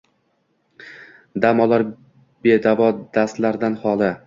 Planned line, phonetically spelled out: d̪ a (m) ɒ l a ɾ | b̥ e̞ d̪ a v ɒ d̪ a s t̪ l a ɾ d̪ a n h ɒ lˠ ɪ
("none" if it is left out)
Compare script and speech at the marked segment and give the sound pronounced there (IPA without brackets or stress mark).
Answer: m